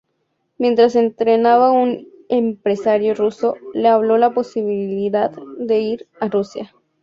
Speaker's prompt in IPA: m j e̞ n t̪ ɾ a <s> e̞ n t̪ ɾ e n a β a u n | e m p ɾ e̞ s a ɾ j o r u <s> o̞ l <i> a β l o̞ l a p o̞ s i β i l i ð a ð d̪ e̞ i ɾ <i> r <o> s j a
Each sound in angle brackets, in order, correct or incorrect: correct, correct, incorrect, incorrect, incorrect

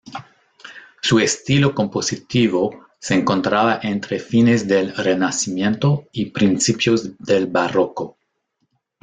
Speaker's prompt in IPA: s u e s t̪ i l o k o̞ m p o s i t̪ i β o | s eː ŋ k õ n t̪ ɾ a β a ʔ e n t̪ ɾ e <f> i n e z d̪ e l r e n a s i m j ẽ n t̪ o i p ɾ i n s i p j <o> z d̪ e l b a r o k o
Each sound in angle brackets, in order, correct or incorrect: correct, correct

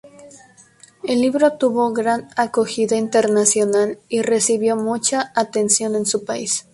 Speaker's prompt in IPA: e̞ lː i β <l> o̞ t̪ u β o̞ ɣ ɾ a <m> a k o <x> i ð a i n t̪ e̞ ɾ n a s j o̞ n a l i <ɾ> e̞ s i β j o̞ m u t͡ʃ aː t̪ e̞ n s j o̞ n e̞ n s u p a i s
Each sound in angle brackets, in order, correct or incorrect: incorrect, incorrect, correct, incorrect

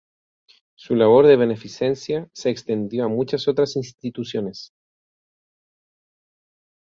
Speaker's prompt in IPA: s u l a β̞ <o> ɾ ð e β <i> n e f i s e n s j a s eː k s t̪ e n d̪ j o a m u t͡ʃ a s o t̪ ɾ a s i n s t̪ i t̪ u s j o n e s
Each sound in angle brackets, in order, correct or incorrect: correct, incorrect

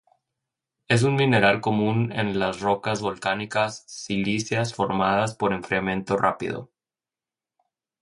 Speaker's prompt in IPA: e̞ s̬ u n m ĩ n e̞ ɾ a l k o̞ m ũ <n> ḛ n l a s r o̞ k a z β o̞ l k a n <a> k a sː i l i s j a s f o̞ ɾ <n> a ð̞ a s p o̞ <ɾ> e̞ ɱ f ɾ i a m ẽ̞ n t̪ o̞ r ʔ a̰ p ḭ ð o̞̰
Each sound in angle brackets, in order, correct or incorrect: correct, incorrect, incorrect, correct

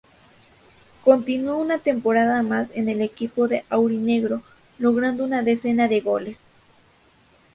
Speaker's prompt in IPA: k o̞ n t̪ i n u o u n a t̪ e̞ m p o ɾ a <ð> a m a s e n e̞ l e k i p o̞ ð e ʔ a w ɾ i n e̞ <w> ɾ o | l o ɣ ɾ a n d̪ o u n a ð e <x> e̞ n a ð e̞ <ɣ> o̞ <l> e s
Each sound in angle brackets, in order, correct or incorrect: correct, incorrect, incorrect, correct, correct

